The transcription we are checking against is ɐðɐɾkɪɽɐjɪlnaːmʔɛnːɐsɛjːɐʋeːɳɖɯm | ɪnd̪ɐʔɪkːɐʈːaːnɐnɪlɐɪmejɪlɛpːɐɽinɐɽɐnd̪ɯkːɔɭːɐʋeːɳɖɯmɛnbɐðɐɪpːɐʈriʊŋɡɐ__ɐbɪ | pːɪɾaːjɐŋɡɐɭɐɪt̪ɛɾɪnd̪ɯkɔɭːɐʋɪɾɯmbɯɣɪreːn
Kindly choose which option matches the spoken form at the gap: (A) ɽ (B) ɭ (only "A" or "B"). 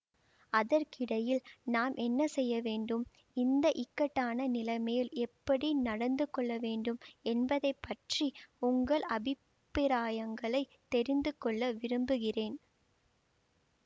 B